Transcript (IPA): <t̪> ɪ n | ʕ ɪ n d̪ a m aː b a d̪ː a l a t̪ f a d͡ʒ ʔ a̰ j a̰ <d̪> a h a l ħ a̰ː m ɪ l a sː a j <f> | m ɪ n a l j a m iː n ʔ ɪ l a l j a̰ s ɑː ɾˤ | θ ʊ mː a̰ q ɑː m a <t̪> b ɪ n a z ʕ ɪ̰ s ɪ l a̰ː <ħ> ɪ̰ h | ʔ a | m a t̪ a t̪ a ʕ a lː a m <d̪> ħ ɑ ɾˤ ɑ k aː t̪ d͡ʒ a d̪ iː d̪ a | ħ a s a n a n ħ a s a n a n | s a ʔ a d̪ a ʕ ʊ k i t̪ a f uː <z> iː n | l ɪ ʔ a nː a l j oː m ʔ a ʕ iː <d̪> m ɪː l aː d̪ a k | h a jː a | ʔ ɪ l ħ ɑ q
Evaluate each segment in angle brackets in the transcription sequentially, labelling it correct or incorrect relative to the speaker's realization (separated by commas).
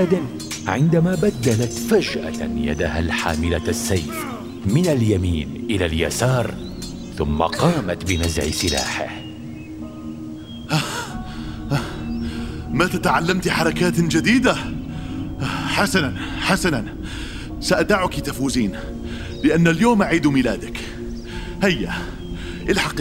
incorrect, correct, correct, correct, correct, incorrect, correct, correct